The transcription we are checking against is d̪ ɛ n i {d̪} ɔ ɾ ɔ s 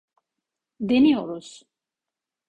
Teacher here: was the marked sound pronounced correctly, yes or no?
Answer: no